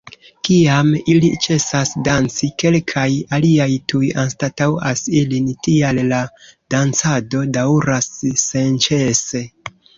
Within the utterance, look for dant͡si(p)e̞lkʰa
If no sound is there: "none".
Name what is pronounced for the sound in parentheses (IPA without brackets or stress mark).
k